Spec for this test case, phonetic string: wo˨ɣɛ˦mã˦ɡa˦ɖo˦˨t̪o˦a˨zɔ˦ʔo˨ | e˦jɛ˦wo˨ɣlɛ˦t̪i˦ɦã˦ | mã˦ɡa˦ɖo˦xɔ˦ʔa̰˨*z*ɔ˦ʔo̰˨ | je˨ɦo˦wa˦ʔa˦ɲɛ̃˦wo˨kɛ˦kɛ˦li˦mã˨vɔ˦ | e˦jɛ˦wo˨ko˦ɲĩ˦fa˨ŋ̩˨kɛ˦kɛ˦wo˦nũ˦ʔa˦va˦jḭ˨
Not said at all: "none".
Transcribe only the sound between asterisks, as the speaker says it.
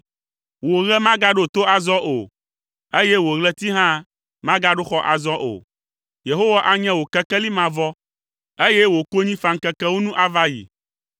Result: z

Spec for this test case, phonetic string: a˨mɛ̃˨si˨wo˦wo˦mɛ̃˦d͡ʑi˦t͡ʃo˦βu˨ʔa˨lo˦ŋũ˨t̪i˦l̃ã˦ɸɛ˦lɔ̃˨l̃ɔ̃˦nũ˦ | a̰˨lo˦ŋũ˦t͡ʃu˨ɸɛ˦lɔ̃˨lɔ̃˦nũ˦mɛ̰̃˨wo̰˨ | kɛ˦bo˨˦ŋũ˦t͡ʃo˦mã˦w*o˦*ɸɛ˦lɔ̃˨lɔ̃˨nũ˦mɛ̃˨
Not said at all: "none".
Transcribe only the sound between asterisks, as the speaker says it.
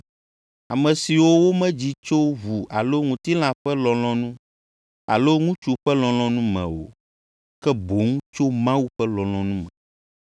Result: u˦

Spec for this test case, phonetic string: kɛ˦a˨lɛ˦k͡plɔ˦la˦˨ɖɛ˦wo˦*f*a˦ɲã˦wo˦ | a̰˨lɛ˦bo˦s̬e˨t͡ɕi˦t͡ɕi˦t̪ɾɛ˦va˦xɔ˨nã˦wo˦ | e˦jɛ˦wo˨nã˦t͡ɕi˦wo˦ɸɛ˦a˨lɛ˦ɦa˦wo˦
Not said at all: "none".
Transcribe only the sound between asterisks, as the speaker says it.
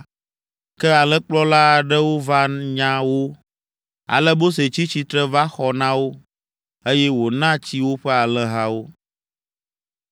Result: v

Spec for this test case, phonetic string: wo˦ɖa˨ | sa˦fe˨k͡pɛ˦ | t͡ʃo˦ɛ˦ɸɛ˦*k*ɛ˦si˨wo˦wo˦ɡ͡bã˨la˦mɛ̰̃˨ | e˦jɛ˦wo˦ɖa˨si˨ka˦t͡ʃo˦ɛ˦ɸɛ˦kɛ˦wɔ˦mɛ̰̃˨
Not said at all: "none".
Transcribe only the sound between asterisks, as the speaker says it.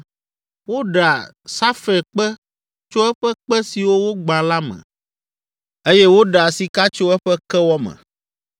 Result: k͡p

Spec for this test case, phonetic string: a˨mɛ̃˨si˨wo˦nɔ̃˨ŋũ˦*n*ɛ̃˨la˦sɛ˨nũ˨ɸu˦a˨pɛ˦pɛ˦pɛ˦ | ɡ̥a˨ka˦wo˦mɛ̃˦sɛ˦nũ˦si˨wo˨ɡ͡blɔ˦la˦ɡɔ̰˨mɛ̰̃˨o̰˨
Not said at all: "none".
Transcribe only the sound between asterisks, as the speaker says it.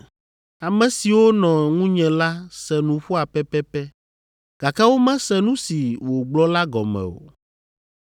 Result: ɲ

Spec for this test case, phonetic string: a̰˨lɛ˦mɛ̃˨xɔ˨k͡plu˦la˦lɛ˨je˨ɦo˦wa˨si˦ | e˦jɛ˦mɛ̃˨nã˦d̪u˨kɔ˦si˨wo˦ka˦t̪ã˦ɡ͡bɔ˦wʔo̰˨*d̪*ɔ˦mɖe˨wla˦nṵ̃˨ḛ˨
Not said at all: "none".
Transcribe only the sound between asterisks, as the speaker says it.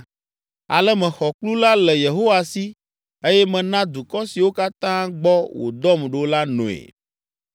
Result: d̪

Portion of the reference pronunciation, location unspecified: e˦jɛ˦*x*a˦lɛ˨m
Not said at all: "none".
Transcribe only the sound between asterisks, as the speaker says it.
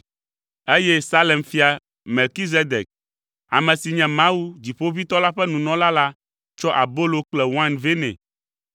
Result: s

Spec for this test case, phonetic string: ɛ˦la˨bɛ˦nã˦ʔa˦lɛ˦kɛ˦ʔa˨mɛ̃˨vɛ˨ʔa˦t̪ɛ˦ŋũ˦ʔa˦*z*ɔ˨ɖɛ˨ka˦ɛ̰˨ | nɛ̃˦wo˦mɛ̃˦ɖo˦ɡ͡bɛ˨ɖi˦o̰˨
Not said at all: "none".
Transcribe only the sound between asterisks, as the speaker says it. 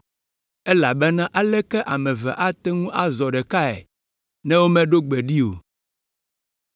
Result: z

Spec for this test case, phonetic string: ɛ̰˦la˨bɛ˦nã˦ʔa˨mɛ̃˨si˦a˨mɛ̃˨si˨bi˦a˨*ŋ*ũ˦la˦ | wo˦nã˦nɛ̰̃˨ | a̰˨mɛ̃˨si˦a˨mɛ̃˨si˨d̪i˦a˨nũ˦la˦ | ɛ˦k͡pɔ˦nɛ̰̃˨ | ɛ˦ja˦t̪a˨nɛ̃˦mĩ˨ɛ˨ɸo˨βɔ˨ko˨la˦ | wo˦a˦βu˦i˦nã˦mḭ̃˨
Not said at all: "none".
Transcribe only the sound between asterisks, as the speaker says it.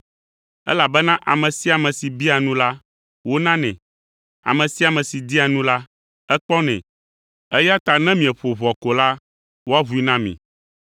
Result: n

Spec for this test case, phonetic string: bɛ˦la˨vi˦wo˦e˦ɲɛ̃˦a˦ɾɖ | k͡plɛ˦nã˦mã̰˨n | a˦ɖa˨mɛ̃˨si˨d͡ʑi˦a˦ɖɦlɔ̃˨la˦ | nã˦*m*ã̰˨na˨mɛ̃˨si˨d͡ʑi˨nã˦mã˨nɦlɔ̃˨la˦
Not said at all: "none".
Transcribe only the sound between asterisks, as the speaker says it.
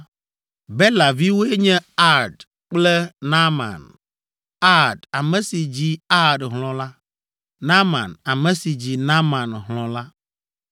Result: m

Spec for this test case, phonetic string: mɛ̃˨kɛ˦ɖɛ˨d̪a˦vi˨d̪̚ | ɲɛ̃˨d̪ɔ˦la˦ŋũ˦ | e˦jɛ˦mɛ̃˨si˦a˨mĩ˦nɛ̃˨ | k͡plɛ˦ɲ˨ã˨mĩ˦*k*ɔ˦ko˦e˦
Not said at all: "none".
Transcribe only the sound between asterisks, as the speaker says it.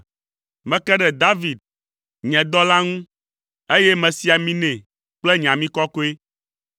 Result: k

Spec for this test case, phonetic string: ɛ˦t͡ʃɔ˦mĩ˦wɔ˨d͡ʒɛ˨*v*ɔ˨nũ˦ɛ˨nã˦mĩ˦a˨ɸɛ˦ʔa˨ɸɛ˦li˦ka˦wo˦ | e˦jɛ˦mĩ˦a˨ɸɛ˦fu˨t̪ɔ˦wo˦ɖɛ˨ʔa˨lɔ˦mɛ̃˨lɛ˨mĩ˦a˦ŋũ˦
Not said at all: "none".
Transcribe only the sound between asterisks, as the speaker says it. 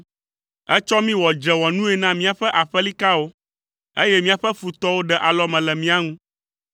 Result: w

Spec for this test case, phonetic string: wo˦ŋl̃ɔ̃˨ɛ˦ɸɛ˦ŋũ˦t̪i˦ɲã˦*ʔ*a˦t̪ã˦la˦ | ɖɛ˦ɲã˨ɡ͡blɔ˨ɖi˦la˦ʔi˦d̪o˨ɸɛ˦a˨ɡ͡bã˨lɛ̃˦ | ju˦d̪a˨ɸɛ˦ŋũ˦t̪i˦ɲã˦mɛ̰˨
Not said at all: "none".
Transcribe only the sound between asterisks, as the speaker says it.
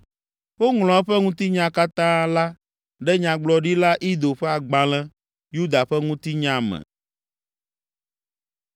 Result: k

